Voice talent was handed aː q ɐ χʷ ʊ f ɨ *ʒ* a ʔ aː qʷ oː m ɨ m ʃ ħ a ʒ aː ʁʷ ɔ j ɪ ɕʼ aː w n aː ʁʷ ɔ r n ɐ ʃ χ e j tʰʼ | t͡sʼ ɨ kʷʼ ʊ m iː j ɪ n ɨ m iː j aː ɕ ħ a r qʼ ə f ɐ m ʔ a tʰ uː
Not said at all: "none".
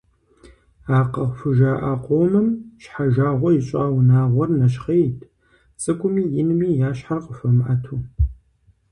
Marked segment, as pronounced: ʒ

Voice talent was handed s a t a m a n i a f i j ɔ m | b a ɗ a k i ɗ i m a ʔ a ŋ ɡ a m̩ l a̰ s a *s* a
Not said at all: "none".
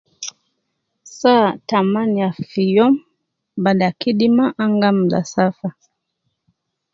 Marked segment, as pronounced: f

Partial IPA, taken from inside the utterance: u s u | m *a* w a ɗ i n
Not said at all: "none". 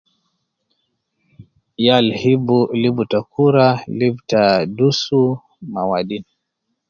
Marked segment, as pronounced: a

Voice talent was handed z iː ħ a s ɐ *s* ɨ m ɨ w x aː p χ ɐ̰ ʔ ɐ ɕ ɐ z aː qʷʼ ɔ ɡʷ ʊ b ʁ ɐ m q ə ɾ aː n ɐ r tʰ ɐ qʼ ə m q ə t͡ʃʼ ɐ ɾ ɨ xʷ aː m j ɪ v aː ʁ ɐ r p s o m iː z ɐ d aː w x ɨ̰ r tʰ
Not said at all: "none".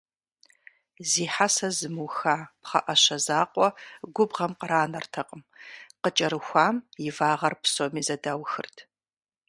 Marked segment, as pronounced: z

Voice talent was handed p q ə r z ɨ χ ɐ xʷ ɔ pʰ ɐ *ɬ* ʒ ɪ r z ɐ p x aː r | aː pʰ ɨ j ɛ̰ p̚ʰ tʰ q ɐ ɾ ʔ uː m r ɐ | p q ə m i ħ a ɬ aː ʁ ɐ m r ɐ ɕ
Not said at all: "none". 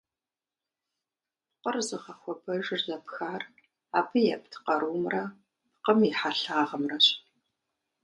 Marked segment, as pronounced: none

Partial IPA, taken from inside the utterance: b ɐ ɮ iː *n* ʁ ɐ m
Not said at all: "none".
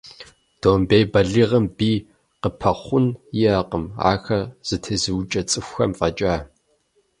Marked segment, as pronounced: none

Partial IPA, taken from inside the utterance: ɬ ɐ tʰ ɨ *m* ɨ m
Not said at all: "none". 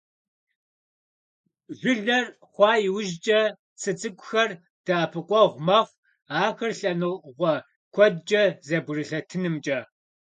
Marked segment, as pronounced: n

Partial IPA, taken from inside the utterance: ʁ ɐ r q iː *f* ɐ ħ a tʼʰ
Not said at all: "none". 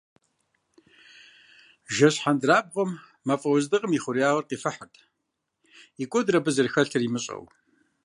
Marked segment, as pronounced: f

